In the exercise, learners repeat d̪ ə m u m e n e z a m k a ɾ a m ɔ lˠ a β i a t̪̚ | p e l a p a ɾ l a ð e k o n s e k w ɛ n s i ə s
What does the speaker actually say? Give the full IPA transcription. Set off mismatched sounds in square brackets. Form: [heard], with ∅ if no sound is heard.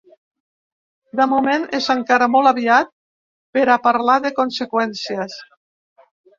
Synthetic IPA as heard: d̪ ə m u m e n e z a [ŋ] k a ɾ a m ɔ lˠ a β i a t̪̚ | p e [ɾ] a p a ɾ l a ð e k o n s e k w ɛ n s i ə s